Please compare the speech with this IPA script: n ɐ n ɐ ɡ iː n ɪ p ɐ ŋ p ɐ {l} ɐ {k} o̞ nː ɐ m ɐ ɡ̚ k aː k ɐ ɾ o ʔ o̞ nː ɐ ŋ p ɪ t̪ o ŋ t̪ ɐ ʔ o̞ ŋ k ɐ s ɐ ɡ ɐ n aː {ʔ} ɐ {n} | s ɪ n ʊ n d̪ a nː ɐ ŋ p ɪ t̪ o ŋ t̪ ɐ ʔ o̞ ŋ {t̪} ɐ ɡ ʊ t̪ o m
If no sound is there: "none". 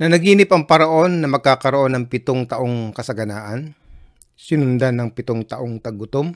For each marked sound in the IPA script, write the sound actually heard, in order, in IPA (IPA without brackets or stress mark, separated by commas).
ɾ, ʔ, ʔ, n, t̪